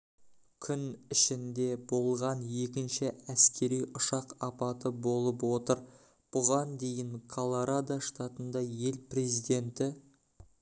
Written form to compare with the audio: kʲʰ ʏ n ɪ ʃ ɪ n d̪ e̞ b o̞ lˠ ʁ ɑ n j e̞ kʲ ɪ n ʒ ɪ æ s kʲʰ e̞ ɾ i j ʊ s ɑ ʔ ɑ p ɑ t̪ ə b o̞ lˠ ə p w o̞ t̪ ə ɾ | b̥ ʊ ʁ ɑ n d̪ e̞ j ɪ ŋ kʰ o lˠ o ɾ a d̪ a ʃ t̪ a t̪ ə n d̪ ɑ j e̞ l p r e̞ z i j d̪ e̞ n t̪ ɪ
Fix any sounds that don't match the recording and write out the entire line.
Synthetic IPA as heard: kʲʰ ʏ n ɪ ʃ ɪ n d̪ e̞ b o̞ lˠ ʁ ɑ n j e̞ kʲ ɪ n ʃ ɪ æ s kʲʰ e̞ ɾ i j ʊ ʃ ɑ q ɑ p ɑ t̪ ə b o̞ lˠ ə p w o̞ t̪ ə ɾ | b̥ ʊ ʁ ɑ n d̪ e̞ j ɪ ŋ kʰ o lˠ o ɾ a d̪ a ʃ t̪ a t̪ ə n d̪ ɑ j e̞ l p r e̞ z i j d̪ e̞ n t̪ ɪ